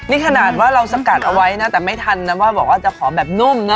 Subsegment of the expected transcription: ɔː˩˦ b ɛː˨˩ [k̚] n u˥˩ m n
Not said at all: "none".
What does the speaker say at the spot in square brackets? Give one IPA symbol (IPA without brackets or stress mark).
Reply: p̚